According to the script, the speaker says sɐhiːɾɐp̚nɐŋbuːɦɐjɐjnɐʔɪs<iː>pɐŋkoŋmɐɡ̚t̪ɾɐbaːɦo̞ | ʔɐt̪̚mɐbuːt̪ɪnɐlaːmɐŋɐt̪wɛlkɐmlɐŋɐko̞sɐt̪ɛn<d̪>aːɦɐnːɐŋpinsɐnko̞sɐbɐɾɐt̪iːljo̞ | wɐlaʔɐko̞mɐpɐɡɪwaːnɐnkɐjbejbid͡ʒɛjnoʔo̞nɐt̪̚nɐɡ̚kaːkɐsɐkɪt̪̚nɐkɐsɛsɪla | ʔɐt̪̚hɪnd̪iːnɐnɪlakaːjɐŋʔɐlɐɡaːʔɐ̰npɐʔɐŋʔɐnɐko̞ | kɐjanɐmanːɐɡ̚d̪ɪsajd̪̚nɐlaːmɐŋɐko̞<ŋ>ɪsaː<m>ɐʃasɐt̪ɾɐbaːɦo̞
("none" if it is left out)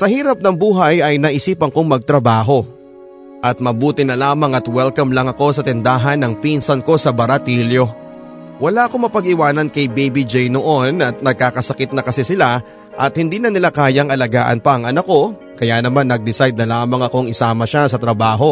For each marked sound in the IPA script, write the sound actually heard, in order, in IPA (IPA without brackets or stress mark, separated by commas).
iː, d̪, ŋ, m